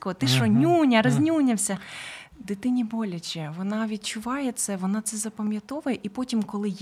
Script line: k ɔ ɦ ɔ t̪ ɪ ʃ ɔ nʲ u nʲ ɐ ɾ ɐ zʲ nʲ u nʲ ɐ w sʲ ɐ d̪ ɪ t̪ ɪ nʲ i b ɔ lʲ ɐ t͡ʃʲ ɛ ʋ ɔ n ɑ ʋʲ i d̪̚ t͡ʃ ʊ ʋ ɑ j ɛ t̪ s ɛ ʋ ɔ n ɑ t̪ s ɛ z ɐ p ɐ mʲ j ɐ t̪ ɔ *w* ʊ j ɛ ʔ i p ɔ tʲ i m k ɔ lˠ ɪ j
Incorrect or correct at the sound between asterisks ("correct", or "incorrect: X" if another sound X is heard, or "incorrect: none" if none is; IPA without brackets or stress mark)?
incorrect: ʋ